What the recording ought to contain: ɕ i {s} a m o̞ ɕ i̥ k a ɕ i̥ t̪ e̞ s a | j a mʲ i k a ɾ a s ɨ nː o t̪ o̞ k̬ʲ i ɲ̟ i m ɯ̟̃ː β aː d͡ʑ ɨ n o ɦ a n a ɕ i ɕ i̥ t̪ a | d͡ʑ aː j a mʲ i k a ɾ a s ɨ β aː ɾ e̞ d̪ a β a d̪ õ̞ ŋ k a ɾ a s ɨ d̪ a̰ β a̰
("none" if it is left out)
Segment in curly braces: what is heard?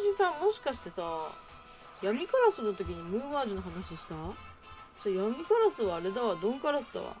s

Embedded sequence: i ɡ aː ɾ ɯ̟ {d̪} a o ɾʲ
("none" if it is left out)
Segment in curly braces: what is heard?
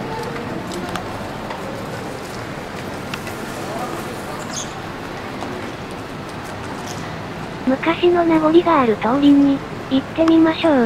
t̪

